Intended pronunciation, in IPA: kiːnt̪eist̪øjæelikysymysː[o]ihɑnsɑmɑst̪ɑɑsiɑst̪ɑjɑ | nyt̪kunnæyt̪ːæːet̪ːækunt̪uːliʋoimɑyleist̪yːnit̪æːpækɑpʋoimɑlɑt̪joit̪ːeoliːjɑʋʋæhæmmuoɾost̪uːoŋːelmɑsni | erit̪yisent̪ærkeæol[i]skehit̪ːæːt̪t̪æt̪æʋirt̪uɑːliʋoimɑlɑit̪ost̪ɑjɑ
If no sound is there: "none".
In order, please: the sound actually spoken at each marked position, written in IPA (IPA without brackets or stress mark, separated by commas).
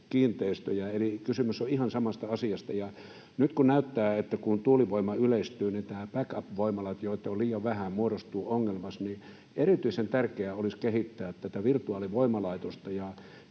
o, i